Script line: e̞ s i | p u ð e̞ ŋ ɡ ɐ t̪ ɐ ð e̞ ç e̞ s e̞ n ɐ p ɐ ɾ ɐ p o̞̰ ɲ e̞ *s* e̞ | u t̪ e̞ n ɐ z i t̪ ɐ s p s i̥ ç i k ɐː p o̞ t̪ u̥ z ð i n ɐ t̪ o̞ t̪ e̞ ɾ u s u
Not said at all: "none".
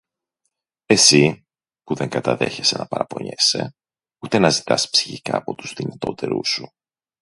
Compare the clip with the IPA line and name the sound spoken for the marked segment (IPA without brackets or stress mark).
s